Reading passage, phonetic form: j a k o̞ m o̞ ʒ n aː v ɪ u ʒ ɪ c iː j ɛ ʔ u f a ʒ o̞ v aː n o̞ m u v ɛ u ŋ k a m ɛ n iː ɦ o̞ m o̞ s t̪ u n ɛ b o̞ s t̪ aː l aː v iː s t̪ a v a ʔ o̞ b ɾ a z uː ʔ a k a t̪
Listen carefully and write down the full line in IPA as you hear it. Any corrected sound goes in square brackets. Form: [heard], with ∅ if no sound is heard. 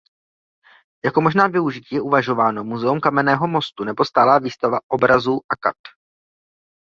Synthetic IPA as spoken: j a k o̞ m o̞ ʒ n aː v ɪ u ʒ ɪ c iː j ɛ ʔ u [v] a ʒ o̞ v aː n o̞ m u [z] ɛ u [m] k a m ɛ n [ɛː] ɦ o̞ m o̞ s t̪ u n ɛ b o̞ s t̪ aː l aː v iː s t̪ a v a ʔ o̞ b ɾ a z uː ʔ a k a t̪

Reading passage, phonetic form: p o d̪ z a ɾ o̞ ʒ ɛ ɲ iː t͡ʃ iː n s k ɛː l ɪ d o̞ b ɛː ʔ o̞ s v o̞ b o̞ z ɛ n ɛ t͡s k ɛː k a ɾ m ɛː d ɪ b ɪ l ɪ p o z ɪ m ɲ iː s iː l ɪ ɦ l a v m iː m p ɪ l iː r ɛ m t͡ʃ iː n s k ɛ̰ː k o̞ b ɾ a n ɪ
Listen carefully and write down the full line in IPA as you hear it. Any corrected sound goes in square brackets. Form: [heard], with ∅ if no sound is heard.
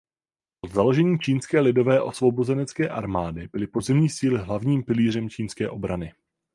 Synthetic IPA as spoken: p o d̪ z a [l] o̞ ʒ ɛ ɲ iː t͡ʃ iː n s k ɛː l ɪ d o̞ [v] ɛː ʔ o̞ s v o̞ b o̞ z ɛ n ɛ t͡s k ɛː [ʔ] a ɾ m [aː] d ɪ b ɪ l ɪ p o z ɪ m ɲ iː s iː l ɪ ɦ l a v [ɲ] iː m p ɪ l iː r ɛ m t͡ʃ iː n s k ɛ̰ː [ʔ] o̞ b ɾ a n ɪ

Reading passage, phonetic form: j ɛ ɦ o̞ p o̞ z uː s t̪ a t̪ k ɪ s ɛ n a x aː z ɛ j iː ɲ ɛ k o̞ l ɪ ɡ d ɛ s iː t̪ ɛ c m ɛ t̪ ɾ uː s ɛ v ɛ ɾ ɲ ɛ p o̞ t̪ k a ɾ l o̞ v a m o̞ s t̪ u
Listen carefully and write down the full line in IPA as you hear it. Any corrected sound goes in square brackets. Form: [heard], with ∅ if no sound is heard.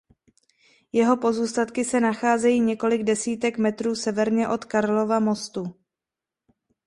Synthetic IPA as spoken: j ɛ ɦ o̞ p o̞ z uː s t̪ a t̪ k ɪ s ɛ n a x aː z ɛ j iː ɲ ɛ k o̞ l ɪ ɡ d ɛ s iː t̪ ɛ [k] m ɛ t̪ ɾ uː s ɛ v ɛ ɾ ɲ ɛ [ʔ] o̞ t̪ k a ɾ l o̞ v a m o̞ s t̪ u

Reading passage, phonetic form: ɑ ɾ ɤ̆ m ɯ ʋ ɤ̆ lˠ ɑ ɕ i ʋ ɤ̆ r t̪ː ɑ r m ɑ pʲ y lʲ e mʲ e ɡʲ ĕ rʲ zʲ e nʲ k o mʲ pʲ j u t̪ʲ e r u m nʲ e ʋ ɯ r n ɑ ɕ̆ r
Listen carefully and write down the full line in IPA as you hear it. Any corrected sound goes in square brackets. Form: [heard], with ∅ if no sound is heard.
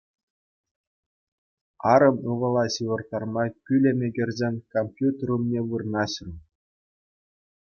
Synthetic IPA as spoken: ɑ ɾ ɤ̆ m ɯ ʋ ɤ̆ lˠ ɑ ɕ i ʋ ɤ̆ r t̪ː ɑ r m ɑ [kʲ] y lʲ e mʲ e ɡʲ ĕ rʲ zʲ e nʲ k o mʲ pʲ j u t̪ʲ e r u m nʲ e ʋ ɯ r n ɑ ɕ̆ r

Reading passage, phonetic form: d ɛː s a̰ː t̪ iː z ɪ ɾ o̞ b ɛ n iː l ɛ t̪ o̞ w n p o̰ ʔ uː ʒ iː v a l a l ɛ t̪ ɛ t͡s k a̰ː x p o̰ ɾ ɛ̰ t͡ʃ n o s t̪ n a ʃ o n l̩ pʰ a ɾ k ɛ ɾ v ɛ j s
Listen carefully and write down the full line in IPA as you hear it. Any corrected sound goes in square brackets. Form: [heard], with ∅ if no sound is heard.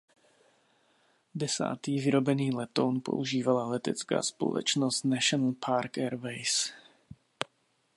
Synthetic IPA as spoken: d [ɛ] s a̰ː t̪ iː [v] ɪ ɾ o̞ b ɛ n iː l ɛ t̪ o̞ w n p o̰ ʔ [u] ʒ iː v a l a l ɛ t̪ ɛ t͡s k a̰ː [s] p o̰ [l] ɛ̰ t͡ʃ n o s t̪ n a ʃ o n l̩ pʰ a ɾ k ɛ ɾ v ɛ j s

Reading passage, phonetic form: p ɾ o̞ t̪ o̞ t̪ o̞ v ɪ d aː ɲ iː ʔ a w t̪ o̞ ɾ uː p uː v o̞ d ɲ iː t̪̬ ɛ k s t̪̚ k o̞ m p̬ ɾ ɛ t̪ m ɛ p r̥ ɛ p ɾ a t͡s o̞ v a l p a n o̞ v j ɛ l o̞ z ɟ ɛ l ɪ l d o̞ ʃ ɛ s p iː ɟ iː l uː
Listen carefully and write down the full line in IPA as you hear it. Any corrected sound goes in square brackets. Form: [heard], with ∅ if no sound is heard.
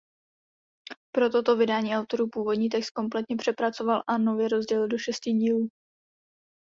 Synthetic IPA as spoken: p ɾ o̞ t̪ o̞ t̪ o̞ v ɪ d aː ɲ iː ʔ a w t̪ o̞ ɾ uː p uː v o̞ d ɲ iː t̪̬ ɛ k s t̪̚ k o̞ m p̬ [l] ɛ t̪ [ɲ] ɛ p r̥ ɛ p ɾ a t͡s o̞ v a l [ʔ] a n o̞ v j ɛ [ɾ] o̞ z ɟ ɛ l ɪ l d o̞ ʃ ɛ s [c] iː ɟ iː l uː

